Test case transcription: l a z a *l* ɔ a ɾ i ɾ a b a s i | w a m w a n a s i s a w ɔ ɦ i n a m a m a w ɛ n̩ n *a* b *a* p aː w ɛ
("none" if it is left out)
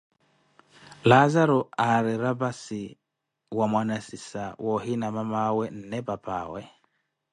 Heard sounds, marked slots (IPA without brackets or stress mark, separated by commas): ɾ, ɛ, a